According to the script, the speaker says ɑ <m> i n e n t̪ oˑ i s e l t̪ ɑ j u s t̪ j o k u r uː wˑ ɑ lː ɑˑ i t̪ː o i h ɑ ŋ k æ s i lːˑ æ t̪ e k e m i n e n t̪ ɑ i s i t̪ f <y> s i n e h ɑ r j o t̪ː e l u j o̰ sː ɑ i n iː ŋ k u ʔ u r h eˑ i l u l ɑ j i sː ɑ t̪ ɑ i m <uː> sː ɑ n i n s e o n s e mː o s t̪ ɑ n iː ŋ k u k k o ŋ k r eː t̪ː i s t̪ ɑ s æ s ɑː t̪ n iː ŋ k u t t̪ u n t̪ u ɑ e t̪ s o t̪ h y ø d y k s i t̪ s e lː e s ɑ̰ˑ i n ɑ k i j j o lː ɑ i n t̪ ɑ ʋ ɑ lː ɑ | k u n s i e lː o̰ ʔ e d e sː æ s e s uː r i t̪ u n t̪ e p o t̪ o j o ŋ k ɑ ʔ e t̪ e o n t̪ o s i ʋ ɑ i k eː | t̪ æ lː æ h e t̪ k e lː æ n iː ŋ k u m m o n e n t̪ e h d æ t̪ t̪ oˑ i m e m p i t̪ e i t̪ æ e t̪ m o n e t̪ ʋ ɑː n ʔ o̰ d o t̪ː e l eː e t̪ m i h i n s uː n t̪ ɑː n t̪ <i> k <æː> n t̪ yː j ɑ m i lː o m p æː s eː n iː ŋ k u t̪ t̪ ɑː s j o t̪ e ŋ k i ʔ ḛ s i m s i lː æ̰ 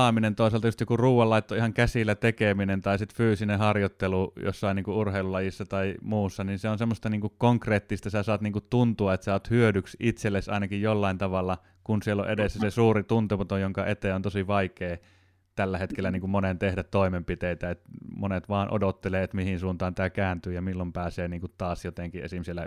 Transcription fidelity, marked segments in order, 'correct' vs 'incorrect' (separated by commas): correct, incorrect, correct, incorrect, correct